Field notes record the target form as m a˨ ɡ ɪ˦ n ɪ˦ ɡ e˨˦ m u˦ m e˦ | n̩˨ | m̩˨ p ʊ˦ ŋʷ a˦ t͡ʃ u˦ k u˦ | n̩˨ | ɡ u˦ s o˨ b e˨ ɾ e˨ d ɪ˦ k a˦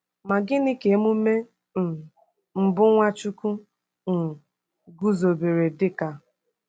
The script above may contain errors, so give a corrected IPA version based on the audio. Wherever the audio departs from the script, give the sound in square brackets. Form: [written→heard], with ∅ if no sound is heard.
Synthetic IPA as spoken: m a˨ ɡ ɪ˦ n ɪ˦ [ɡ→k] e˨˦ m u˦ m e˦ | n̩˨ | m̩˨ [p→b] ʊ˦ ŋʷ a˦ t͡ʃ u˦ k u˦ | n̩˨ | ɡ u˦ [s→z] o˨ b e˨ ɾ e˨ d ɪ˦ k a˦